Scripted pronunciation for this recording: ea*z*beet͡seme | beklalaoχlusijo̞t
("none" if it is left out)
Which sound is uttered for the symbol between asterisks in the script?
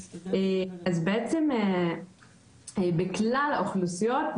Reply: z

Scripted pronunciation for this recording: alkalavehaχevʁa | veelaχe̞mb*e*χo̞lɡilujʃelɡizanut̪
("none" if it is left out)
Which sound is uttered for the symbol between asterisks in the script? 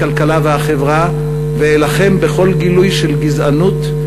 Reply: e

